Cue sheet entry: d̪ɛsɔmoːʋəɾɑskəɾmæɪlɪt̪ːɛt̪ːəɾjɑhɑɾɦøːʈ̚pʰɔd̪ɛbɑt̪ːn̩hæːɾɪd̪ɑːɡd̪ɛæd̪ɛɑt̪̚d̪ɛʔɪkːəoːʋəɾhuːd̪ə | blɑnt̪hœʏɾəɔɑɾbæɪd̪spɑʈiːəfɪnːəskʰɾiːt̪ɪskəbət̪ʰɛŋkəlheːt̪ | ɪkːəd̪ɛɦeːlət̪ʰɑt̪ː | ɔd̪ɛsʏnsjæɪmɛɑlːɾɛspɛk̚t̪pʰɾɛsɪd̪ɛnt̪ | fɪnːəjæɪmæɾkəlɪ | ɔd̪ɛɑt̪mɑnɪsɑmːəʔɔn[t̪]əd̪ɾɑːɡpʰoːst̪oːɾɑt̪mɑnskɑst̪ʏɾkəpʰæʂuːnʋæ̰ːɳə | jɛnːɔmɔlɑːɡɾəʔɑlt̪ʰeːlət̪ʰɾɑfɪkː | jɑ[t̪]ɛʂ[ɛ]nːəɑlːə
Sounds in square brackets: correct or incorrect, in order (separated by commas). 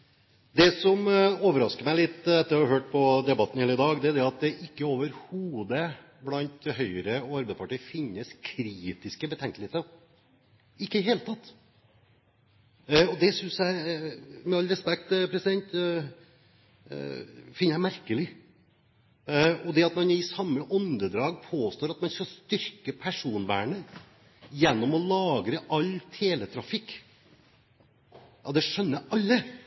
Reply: incorrect, incorrect, incorrect